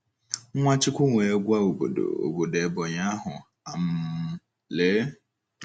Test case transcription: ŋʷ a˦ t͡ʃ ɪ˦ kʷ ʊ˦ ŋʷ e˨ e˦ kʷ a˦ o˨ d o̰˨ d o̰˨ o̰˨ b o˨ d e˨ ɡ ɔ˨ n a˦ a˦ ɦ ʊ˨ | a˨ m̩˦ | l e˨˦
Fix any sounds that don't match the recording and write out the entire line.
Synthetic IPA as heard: ŋʷ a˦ t͡ʃ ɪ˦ kʷ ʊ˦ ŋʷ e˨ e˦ ɡʷ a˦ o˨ b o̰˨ d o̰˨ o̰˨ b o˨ d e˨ b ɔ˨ ɲ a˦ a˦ ɦ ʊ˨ | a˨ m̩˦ | l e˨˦